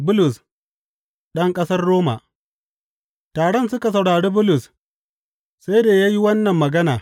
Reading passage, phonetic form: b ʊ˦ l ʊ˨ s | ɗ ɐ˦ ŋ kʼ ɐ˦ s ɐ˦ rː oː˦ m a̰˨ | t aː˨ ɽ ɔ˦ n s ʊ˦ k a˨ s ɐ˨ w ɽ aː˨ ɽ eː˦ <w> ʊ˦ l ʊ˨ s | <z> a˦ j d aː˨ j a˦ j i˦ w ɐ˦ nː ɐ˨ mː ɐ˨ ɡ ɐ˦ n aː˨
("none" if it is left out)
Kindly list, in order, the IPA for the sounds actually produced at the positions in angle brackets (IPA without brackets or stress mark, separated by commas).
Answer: b, s